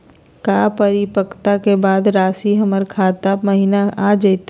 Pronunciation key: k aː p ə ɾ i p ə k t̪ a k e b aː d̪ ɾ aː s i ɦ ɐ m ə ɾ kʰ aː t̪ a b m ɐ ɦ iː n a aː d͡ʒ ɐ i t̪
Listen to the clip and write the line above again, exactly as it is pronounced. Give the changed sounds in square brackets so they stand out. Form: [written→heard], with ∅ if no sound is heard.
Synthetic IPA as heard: k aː p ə ɾ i p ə k t̪ a k e b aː d̪ ɾ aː s i ɦ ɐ m ə ɾ kʰ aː t̪ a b m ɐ ɦ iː n a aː d͡ʒ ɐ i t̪